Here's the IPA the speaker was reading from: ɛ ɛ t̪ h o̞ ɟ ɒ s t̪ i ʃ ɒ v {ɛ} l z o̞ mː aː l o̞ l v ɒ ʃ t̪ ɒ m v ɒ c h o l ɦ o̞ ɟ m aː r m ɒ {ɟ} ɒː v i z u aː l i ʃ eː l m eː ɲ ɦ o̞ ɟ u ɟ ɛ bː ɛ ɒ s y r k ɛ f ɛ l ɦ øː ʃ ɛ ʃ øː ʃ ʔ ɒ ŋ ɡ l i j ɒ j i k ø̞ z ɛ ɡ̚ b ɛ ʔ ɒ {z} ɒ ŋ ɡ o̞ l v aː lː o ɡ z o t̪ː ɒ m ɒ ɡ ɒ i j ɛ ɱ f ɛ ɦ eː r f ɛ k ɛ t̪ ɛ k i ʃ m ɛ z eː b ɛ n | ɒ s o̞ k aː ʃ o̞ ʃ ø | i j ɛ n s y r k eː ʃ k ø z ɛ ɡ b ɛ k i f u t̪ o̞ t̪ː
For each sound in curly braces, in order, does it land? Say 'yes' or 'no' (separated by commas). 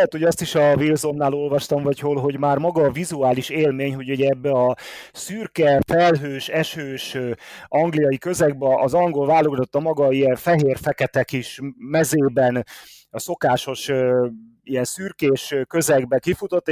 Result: no, no, yes